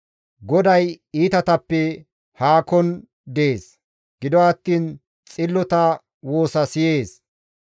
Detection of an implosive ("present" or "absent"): absent